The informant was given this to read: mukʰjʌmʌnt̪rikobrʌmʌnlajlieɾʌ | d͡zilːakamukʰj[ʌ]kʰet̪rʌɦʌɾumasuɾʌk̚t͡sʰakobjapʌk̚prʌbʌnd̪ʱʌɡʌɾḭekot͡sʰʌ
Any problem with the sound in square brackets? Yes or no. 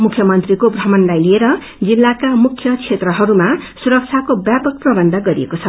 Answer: no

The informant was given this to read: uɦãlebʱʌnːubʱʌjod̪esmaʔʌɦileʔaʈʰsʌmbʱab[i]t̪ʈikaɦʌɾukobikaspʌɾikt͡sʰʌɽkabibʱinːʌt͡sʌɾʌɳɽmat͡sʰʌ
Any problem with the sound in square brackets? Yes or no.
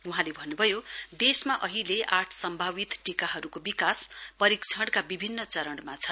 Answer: no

